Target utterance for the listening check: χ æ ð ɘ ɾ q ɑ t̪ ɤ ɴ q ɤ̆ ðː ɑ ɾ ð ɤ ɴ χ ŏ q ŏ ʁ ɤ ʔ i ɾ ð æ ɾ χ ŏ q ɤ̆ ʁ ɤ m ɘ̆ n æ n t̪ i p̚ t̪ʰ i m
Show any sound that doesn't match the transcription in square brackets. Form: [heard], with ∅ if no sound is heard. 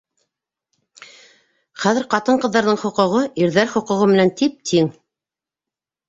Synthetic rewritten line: χ æ ð ɘ ɾ q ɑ t̪ ɤ ɴ q ɤ̆ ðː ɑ ɾ ð ɤ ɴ χ ŏ q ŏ ʁ ɤ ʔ i ɾ ð æ ɾ χ ŏ q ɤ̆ ʁ ɤ m ɘ̆ n æ n t̪ i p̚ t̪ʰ i [ŋ]